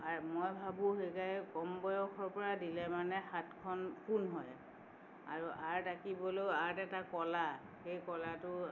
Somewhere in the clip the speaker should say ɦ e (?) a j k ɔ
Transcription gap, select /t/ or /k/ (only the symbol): k